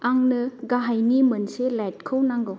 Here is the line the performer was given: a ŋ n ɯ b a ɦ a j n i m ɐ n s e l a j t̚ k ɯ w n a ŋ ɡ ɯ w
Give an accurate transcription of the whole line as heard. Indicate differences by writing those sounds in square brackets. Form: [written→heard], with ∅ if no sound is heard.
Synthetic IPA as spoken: a ŋ n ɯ [b→ɡ] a ɦ a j n i m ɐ n s e l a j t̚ [k→kʰ] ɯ w n a ŋ ɡ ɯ w